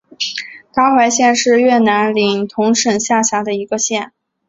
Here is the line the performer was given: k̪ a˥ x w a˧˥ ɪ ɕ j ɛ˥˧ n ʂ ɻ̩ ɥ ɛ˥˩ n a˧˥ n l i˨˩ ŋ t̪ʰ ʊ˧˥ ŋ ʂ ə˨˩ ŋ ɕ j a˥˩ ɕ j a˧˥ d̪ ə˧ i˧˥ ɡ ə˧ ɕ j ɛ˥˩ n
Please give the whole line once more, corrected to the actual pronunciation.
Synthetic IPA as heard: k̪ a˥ x w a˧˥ ɪ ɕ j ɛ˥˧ n ʂ ɻ̩ ɥ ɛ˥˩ n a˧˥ n l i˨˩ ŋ t̪ʰ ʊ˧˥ ŋ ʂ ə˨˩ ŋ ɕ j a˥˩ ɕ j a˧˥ d̪ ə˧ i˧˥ ɡ ə˧ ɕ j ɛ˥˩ n